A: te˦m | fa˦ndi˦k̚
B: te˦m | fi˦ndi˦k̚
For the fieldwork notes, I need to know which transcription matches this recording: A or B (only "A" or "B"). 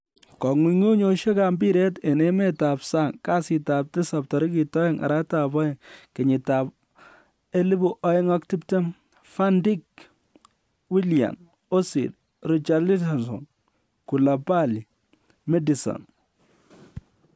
A